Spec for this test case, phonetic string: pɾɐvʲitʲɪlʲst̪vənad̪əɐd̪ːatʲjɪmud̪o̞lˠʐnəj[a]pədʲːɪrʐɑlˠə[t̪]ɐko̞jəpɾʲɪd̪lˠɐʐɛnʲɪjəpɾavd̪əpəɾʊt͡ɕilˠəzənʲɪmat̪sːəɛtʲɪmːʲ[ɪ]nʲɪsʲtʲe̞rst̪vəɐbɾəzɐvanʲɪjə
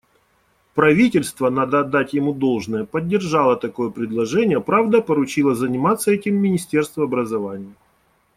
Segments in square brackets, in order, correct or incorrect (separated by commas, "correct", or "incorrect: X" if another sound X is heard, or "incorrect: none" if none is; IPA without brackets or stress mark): incorrect: ə, correct, correct